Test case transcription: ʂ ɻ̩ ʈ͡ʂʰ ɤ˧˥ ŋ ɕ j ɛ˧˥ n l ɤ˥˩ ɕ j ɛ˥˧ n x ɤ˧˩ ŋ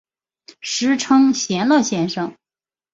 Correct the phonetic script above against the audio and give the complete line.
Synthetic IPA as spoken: ʂ ɻ̩ ʈ͡ʂʰ ɤ˥ ŋ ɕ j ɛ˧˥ n l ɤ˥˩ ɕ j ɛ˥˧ n ʂ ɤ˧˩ ŋ